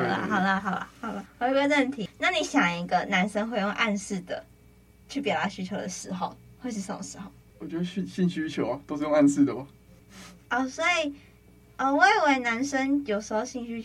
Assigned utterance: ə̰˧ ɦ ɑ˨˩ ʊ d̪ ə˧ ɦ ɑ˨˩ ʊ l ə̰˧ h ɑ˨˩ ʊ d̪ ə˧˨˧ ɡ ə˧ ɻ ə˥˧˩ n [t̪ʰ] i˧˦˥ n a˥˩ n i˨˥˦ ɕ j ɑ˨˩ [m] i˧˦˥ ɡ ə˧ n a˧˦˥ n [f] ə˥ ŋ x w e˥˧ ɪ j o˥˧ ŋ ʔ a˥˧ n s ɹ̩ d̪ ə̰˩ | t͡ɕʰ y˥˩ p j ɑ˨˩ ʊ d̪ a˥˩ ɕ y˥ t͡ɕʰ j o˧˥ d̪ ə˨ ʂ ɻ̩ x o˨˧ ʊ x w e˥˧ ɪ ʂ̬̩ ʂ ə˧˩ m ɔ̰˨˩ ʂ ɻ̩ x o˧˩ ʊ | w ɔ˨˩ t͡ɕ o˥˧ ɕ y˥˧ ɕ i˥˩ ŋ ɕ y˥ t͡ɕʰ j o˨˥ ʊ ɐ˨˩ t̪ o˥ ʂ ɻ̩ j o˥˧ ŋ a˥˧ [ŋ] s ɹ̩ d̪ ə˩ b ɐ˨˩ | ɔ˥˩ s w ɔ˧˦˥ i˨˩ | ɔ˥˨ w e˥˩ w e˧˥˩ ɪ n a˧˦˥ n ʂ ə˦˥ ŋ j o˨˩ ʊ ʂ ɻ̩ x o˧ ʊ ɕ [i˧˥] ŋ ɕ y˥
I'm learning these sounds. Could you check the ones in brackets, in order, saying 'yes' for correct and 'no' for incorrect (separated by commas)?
yes, no, no, no, no